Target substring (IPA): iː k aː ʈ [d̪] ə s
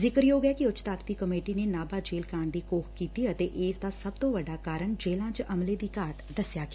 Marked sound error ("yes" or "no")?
no